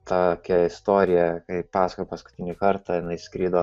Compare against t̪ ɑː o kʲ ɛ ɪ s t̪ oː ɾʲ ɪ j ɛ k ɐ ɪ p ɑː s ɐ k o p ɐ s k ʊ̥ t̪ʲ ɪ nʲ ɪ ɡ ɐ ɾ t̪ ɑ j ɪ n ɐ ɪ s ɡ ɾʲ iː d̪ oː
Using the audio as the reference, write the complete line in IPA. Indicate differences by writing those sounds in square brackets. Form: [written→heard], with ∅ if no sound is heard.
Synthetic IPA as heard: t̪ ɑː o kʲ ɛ ɪ s t̪ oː ɾʲ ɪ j ɛ k ɐ ɪ p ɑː s ɐ k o p ɐ s k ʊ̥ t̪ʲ ɪ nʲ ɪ [ɡ→k] ɐ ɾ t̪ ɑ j ɪ n ɐ ɪ s [ɡ→k] ɾʲ iː d̪ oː

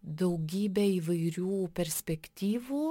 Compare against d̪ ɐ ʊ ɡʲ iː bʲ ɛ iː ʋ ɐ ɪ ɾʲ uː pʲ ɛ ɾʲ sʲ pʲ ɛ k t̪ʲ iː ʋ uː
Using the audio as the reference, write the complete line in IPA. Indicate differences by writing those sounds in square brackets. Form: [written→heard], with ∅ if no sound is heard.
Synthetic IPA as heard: d̪ ɐ ʊ ɡʲ iː bʲ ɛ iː ʋ ɐ ɪ ɾʲ uː pʲ ɛ ɾʲ sʲ pʲ ɛ k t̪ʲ iː ʋ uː

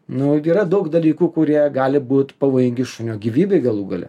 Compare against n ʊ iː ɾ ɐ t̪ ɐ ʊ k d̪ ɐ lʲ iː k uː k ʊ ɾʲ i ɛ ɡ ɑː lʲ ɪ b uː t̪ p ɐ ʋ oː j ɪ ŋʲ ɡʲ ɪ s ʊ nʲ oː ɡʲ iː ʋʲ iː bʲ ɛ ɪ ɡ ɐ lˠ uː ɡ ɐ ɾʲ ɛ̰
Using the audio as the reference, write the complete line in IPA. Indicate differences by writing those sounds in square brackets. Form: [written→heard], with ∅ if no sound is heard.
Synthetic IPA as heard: n ʊ iː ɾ ɐ [t̪→d̪] ɐ ʊ k d̪ ɐ lʲ iː k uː k ʊ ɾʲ i ɛ ɡ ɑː lʲ ɪ b uː t̪ p ɐ ʋ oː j ɪ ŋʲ ɡʲ ɪ [s→ʃ] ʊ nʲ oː ɡʲ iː ʋʲ iː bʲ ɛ ɪ ɡ ɐ lˠ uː ɡ ɐ [ɾʲ→lʲ] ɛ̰

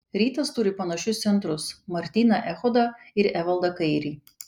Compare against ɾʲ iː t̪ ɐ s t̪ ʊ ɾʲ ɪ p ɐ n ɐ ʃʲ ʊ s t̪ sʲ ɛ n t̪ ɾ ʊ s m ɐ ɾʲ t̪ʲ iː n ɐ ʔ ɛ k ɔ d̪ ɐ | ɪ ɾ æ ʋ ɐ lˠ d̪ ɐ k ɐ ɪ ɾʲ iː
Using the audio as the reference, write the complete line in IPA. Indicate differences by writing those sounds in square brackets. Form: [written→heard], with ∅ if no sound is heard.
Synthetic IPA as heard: ɾʲ iː t̪ ɐ s t̪ ʊ ɾʲ ɪ p ɐ n ɐ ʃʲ ʊ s t̪ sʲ ɛ n t̪ ɾ ʊ s m ɐ ɾʲ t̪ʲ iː n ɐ ʔ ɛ [k→x] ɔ d̪ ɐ | ɪ ɾ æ ʋ ɐ lˠ d̪ ɐ k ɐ ɪ ɾʲ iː

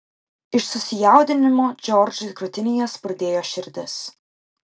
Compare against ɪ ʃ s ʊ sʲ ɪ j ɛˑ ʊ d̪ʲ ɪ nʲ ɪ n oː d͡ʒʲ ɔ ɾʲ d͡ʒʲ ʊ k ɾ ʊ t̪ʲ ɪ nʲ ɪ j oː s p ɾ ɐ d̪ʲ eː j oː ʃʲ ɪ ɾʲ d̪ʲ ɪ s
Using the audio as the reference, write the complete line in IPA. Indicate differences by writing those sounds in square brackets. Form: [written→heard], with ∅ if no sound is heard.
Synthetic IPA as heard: ɪ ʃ s ʊ sʲ ɪ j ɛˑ ʊ d̪ʲ ɪ nʲ ɪ [n→m] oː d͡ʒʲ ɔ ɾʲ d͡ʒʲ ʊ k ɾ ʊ t̪ʲ ɪ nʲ ɪ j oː s p ɾ ɐ d̪ʲ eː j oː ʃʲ ɪ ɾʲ d̪ʲ ɪ s

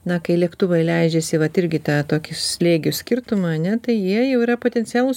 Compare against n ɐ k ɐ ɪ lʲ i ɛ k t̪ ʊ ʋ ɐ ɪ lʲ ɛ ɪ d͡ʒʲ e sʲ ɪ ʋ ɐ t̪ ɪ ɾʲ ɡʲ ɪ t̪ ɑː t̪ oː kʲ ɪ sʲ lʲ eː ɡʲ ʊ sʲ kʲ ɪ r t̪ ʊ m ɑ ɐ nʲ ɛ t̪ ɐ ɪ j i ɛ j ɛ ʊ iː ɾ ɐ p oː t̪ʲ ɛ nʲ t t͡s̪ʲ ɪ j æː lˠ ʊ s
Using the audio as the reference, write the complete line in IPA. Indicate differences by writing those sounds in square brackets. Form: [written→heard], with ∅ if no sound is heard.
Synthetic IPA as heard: n ɐ k ɐ ɪ lʲ i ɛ k t̪ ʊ ʋ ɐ ɪ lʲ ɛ ɪ d͡ʒʲ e sʲ ɪ ʋ ɐ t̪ ɪ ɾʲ ɡʲ ɪ t̪ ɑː t̪ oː kʲ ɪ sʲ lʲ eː ɡʲ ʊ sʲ kʲ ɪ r t̪ ʊ m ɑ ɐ nʲ ɛ t̪ ɐ ɪ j i ɛ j ɛ ʊ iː ɾ ɐ p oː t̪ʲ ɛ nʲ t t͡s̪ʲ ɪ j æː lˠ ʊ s

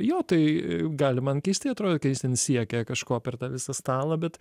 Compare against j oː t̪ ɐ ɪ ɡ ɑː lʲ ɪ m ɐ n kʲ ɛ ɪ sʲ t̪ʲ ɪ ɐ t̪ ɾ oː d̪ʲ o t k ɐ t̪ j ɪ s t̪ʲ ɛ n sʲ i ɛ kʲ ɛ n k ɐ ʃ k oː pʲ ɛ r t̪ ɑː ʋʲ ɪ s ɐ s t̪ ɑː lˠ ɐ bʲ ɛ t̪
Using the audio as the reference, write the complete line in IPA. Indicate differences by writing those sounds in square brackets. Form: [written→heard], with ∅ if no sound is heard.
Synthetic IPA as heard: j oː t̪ ɐ ɪ ɡ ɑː lʲ ɪ m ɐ n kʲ ɛ ɪ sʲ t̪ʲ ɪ ɐ t̪ ɾ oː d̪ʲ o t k ɐ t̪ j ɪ s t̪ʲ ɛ n sʲ i ɛ kʲ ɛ [n→∅] k ɐ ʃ k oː pʲ ɛ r t̪ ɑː ʋʲ ɪ s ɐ s t̪ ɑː lˠ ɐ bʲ ɛ t̪

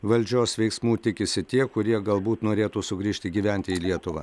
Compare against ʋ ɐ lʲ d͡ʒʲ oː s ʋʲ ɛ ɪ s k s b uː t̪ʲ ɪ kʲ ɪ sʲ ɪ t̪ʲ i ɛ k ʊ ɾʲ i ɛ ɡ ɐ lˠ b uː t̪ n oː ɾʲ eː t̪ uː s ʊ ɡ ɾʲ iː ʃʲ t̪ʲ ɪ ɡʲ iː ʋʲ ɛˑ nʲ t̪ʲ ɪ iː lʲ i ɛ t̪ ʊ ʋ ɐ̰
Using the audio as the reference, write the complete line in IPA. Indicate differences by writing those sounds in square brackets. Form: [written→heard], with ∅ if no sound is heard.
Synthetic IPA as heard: ʋ ɐ lʲ d͡ʒʲ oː s ʋʲ ɛ ɪ [s→∅] k s [b→m] uː t̪ʲ ɪ kʲ ɪ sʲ ɪ t̪ʲ i ɛ k ʊ ɾʲ i ɛ ɡ ɐ lˠ b uː t̪ n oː ɾʲ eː t̪ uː s ʊ ɡ ɾʲ iː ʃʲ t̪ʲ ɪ ɡʲ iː ʋʲ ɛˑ nʲ t̪ʲ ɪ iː lʲ i ɛ t̪ ʊ ʋ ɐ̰

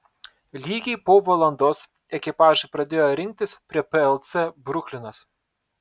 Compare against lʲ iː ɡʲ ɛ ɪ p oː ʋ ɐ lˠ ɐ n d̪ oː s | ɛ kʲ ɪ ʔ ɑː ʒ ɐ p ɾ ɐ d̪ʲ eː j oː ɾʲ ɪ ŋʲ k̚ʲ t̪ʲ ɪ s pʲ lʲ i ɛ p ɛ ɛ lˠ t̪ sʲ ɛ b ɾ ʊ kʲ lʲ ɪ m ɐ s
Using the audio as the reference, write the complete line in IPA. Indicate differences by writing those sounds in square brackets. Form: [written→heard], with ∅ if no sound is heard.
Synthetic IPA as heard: lʲ iː ɡʲ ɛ ɪ p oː ʋ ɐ lˠ ɐ n d̪ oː s | ɛ kʲ ɪ [ʔ→p] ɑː ʒ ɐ p ɾ ɐ d̪ʲ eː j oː ɾʲ ɪ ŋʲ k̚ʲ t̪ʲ ɪ s pʲ [lʲ→ɾʲ] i ɛ p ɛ ɛ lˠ t̪ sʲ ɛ b ɾ ʊ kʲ lʲ ɪ [m→n] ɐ s

